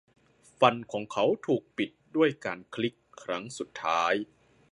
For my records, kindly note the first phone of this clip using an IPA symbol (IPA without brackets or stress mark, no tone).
f